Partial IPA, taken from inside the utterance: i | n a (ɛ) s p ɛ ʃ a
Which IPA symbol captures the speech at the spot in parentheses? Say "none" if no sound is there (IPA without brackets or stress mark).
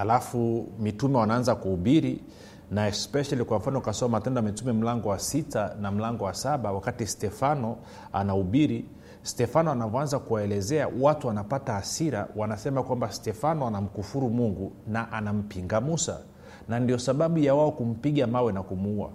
ɛ